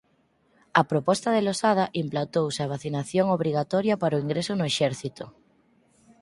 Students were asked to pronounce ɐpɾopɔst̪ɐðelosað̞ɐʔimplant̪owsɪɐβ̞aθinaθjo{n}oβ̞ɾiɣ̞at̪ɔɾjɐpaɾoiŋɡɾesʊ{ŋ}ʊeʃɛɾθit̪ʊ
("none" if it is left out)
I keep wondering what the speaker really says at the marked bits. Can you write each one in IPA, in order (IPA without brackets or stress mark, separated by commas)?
ŋ, n